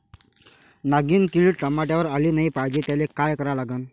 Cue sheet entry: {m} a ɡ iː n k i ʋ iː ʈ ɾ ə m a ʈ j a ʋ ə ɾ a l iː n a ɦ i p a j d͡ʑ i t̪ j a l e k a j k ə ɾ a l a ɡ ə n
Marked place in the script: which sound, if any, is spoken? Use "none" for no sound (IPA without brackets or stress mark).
n